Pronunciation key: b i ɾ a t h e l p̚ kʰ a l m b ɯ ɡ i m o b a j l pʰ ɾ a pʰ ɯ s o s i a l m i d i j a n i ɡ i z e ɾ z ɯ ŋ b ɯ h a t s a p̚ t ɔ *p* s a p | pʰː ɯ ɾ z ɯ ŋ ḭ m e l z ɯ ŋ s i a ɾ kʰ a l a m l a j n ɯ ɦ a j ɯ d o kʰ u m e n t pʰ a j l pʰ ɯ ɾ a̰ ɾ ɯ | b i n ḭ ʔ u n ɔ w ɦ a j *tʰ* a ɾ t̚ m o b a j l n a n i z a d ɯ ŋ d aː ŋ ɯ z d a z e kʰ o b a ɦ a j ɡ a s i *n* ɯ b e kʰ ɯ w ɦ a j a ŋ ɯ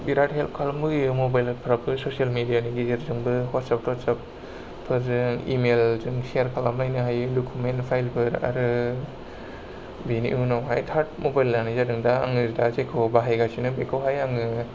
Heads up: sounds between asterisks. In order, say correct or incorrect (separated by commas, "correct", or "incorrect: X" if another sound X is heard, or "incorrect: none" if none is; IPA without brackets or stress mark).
incorrect: t, correct, correct